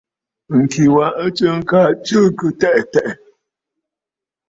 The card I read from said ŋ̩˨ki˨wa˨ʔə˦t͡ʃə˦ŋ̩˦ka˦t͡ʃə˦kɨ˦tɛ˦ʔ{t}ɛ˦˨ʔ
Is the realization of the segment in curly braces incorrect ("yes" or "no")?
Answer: no